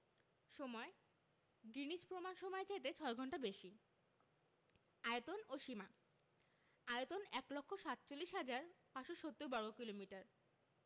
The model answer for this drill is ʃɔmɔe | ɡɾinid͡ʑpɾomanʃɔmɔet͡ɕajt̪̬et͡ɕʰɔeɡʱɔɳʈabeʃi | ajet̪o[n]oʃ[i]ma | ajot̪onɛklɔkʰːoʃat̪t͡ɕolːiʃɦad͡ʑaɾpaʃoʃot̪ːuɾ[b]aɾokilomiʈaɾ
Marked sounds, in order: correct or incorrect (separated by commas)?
correct, correct, correct